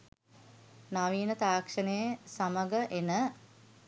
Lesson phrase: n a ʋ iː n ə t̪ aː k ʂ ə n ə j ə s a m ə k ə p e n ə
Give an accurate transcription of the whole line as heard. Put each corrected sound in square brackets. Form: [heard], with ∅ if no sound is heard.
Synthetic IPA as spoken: n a ʋ iː n ə t̪ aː k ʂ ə n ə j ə s a m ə [ɡ] ə [ʔ] e n ə